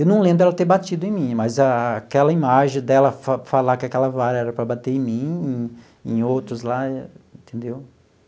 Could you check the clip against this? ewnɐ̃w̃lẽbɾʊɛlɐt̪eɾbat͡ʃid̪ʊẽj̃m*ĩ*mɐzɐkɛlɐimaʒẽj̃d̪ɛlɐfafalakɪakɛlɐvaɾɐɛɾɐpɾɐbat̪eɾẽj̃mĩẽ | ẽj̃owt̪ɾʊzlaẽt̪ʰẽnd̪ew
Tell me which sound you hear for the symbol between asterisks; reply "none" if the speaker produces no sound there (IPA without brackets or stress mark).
ĩ